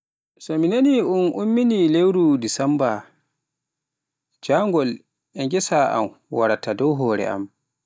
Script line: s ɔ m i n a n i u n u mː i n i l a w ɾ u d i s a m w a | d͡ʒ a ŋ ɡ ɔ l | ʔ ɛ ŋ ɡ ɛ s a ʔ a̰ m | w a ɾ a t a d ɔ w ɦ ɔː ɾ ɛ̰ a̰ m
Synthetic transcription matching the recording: s ɔ m i n a n i u n u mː i n i l e w ɾ u d i s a m b a | d͡ʒ a ŋ ɡ ɔ l | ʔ ɛ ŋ ɡ ɛ s a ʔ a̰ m | w a ɾ a t a d ɔ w ɦ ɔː ɾ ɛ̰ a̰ m